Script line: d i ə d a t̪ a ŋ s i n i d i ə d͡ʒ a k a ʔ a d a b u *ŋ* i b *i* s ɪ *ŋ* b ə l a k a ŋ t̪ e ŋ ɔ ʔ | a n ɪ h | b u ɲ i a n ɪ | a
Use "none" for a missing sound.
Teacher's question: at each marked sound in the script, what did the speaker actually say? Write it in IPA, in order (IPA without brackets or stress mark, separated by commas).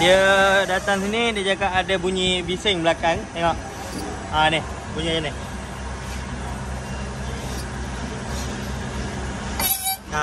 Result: ɲ, i, ŋ